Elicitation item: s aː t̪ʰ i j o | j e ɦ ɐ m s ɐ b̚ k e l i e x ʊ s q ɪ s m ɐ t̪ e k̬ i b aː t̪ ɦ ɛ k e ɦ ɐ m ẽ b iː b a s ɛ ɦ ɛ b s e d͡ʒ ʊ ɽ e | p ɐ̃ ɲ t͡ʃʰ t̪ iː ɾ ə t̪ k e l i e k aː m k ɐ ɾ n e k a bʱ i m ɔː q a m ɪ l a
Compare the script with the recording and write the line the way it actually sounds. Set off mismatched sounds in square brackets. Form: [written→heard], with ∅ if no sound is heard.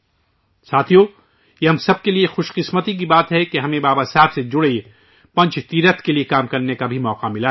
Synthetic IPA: s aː t̪ʰ i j o | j e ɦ ɐ m s ɐ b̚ k e l i e x ʊ [s→ʃ] q ɪ s m [ɐ→ə] t̪ [e→i] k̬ i b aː t̪ ɦ ɛ k e ɦ ɐ m ẽ b [iː→aː] b a s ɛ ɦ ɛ b s e d͡ʒ ʊ ɽ e | p ɐ̃ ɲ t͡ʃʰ t̪ iː ɾ ə t̪ k e l i e k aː m k ɐ ɾ n e k a bʱ i m ɔː q a m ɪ l a